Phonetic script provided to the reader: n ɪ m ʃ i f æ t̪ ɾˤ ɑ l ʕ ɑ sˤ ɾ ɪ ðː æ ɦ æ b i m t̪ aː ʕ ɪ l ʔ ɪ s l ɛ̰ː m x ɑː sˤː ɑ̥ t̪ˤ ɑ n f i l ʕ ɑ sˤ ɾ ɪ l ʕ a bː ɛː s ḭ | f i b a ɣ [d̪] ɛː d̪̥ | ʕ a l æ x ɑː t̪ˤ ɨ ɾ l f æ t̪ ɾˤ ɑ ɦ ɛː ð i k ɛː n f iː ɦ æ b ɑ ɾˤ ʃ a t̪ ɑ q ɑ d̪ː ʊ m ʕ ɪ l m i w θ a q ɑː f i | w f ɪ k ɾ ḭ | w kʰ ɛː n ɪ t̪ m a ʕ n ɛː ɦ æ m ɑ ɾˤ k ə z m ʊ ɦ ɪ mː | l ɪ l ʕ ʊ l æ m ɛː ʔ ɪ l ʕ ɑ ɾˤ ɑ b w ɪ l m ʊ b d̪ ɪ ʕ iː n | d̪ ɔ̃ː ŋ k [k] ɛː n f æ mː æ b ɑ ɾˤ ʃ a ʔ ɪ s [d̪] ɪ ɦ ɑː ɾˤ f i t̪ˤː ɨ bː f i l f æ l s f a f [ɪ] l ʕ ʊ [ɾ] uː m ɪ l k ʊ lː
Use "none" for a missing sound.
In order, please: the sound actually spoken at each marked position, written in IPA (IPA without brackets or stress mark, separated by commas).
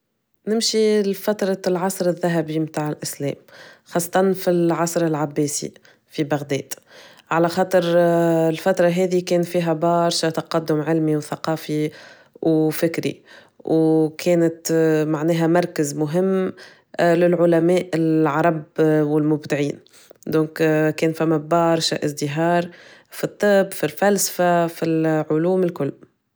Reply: d̪, k, d̪, i, l